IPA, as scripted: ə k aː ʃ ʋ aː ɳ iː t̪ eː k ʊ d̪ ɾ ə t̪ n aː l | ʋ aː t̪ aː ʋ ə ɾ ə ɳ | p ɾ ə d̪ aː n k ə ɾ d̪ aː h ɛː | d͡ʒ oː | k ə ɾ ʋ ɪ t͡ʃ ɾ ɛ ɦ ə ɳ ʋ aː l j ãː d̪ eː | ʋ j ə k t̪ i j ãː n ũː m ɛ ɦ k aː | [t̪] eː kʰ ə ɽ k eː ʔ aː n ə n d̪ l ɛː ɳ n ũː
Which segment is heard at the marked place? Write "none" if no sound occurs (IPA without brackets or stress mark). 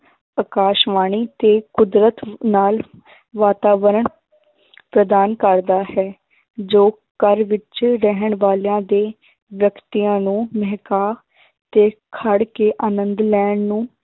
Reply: t̪